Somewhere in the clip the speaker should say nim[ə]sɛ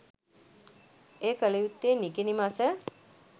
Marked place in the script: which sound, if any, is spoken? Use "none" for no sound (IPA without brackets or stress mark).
a